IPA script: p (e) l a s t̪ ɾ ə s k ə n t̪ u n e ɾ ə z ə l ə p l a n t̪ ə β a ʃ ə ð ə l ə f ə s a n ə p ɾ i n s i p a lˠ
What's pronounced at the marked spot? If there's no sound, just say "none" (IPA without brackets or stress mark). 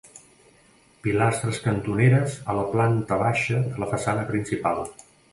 i